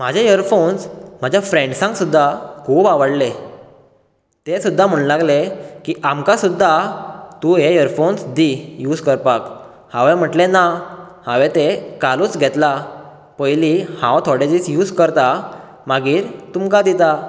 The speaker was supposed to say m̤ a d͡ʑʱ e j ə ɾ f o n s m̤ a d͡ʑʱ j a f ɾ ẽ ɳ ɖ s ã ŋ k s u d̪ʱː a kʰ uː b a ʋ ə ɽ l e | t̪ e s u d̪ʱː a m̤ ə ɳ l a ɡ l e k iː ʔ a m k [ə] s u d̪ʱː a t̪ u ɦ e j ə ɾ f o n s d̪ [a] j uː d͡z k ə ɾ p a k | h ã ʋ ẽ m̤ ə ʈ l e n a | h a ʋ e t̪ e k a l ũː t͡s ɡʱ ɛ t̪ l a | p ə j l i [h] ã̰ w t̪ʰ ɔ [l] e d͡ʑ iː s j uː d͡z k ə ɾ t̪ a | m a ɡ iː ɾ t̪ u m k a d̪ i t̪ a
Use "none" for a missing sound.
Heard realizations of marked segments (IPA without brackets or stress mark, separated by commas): a, i, h, ɽ